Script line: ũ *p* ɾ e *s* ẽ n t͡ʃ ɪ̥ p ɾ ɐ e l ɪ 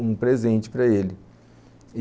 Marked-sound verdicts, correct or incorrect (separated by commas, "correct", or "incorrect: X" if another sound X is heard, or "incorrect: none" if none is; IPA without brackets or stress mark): correct, incorrect: z